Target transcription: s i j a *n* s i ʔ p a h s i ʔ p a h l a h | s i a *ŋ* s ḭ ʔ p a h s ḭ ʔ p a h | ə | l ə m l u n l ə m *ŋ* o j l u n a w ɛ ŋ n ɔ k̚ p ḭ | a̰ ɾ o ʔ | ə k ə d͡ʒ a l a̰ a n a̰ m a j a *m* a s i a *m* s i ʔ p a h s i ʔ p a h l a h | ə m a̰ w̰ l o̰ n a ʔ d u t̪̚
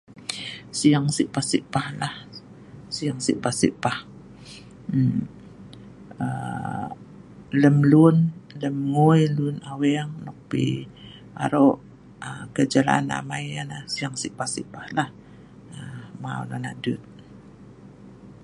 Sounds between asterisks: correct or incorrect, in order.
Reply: incorrect: ŋ, correct, correct, incorrect: n, incorrect: ŋ

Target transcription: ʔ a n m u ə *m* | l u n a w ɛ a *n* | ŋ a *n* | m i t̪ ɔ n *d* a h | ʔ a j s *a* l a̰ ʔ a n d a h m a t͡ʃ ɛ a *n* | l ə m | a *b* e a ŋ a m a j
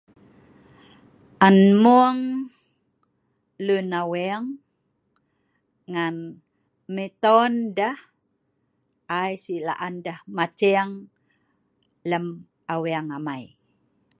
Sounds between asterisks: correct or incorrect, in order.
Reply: incorrect: ŋ, incorrect: ŋ, correct, correct, incorrect: i, incorrect: ŋ, incorrect: w

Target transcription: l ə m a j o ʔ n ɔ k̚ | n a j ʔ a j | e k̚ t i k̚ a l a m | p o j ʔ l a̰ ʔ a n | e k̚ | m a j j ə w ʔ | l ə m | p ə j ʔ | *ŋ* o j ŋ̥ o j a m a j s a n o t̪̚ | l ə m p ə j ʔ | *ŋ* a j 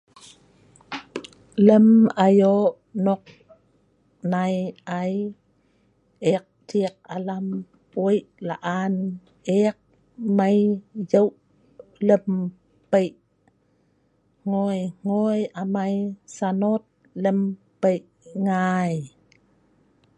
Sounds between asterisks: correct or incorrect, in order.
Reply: correct, correct

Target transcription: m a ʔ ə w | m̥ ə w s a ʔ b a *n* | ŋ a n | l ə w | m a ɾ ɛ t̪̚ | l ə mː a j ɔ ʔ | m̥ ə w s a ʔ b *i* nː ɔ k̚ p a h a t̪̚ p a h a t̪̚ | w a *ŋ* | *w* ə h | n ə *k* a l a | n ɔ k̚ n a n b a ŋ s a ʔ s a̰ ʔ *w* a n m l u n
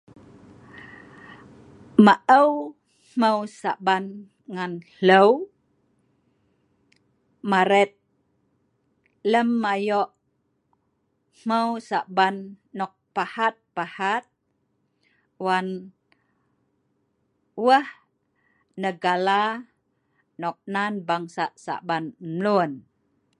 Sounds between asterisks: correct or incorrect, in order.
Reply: correct, incorrect: a, incorrect: n, correct, incorrect: ɡ, incorrect: b

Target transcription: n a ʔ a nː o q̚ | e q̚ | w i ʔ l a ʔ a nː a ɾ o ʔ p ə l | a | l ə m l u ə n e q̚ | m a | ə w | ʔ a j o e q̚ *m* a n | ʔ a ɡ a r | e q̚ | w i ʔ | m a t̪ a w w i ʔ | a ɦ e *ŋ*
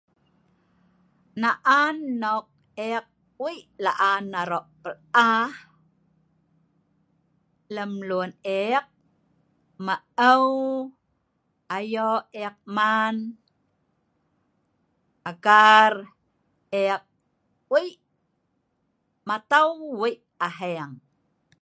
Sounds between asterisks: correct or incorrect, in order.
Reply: correct, correct

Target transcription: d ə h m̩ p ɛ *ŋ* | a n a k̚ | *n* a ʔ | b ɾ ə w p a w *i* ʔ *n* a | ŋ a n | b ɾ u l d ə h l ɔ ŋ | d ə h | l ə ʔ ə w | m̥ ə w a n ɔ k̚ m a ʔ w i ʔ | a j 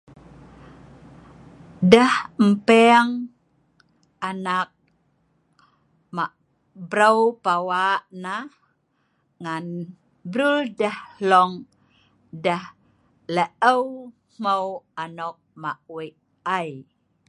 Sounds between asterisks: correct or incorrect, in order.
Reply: correct, incorrect: m, incorrect: a, correct

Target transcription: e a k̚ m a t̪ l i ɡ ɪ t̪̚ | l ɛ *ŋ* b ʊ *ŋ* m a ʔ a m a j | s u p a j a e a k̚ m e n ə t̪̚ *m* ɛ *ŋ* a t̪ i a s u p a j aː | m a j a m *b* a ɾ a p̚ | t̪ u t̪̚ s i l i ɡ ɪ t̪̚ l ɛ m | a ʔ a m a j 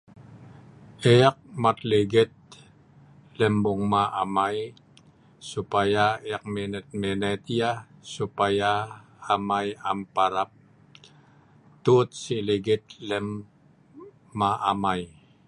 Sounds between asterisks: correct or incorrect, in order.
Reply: incorrect: m, correct, correct, incorrect: n, incorrect: p

